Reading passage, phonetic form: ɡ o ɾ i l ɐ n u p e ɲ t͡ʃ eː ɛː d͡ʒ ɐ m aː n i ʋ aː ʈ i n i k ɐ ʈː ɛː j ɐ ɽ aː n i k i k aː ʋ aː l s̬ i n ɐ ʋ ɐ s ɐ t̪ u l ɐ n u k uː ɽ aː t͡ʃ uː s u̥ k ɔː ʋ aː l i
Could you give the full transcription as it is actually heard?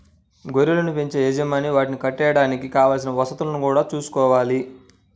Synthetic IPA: ɡ o ɾ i l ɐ n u p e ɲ t͡ʃ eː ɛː d͡ʒ ɐ m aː n i ʋ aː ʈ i n i k ɐ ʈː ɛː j ɐ ɽ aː n i k i k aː ʋ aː l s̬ i n ɐ ʋ ɐ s ɐ t̪ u l ɐ n u k uː ɽ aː t͡ʃ uː s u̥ k ɔː ʋ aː l i